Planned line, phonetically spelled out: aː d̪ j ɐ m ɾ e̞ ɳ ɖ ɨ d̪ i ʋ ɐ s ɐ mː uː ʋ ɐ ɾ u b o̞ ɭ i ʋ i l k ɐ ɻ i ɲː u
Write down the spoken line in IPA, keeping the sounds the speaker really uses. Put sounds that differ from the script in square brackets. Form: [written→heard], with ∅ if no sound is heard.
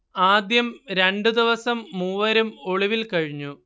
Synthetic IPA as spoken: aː d̪ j ɐ m ɾ e̞ ɳ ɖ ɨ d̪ i ʋ ɐ s ɐ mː uː ʋ ɐ ɾ u [b→m] o̞ ɭ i ʋ i l k ɐ ɻ i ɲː u